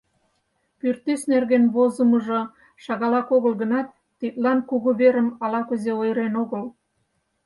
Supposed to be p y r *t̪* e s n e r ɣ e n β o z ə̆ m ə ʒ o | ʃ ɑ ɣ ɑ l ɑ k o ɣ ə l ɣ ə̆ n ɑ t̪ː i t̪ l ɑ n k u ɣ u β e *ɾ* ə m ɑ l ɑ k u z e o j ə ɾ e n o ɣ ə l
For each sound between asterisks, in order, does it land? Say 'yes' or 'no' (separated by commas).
yes, yes